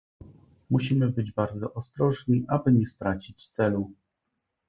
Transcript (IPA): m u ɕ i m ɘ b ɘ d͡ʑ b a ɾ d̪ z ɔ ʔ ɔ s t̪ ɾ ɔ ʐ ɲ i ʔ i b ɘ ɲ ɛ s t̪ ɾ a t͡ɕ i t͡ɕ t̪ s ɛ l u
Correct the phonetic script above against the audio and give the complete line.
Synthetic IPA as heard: m u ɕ i m ɘ b ɘ d͡ʑ b a ɾ d̪ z ɔ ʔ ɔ s t̪ ɾ ɔ ʐ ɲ i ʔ a b ɘ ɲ ɛ s t̪ ɾ a t͡ɕ i t͡ɕ t̪ s ɛ l u